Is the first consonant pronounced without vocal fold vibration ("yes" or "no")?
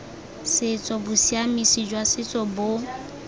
yes